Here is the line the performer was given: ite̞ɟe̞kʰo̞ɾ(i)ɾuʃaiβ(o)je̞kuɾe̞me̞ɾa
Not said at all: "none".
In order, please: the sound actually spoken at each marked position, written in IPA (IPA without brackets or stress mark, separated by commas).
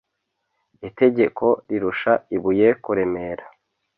i, u